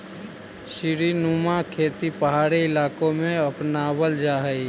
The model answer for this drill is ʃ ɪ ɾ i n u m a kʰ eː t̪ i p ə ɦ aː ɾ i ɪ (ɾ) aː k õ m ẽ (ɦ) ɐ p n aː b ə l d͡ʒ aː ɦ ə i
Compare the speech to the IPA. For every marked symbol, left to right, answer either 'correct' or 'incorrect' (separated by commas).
incorrect, incorrect